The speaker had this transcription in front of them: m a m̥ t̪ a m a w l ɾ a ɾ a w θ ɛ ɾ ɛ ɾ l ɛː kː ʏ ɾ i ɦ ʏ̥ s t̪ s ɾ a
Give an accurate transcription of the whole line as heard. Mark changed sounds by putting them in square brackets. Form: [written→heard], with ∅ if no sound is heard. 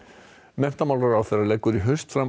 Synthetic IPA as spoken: m [a→ɛ] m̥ t̪ a m a w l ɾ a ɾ a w θ ɛ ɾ [ɛ→a] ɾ l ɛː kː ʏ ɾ i ɦ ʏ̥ s t̪ [s→f] ɾ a

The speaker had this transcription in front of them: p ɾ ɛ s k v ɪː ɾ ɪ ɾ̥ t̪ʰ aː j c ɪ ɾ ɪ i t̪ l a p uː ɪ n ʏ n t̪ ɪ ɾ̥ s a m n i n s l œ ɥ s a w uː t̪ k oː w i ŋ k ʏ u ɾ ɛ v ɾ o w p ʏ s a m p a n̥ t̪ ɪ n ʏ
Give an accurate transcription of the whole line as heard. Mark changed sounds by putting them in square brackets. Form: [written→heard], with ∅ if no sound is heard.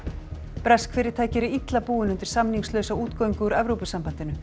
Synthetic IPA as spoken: p ɾ ɛ s k [v→f] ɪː ɾ ɪ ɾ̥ t̪ʰ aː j c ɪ ɾ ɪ i t̪ l a p uː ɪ n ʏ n t̪ ɪ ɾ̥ s a m n i [n→ŋ] s l œ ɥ s a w uː t̪ k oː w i ŋ k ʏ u ɾ ɛ v ɾ o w p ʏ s a m p a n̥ t̪ ɪ n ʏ

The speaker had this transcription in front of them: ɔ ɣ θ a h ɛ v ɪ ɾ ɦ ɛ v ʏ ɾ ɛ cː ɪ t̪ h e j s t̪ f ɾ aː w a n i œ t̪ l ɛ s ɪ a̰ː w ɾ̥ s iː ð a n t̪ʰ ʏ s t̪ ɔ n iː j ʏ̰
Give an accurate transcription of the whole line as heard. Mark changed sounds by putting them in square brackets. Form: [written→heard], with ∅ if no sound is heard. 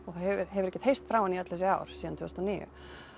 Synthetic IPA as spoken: ɔ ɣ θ a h ɛ v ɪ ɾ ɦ ɛ v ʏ ɾ ɛ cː ɪ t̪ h e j s t̪ f ɾ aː w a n i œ t̪ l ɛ s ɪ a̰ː w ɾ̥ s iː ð a n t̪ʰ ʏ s t̪ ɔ n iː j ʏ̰

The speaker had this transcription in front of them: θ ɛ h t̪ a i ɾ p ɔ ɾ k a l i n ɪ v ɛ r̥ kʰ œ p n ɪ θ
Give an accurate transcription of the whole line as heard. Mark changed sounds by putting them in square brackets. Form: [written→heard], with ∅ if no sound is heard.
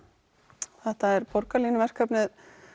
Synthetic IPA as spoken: θ ɛ h t̪ a [i→ɛ] ɾ p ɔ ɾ k a l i n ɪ v ɛ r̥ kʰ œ p n ɪ [θ→ð]

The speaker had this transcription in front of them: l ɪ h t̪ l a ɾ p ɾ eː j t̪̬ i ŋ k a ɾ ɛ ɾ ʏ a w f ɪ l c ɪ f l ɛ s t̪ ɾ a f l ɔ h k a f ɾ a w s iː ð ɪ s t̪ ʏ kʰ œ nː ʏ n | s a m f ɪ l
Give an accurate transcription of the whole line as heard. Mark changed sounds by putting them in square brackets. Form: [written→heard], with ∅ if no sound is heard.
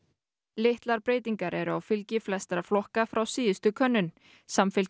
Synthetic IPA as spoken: l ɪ h t̪ l a ɾ p ɾ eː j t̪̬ i ŋ k a ɾ ɛ ɾ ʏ a w f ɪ l c ɪ f l ɛ s t̪ ɾ a f l ɔ h k a f ɾ a w s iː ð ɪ s t̪ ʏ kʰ œ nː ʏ n | s a m f ɪ l

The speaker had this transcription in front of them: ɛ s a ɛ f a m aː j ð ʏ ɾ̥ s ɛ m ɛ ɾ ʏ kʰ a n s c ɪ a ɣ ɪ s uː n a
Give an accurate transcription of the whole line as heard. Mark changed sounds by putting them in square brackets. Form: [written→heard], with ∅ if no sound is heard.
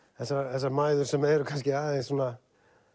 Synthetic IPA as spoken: ɛ s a ɛ [f→s] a m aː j ð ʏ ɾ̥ s ɛ m ɛ ɾ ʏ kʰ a n s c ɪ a [ɣ→ð] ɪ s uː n a

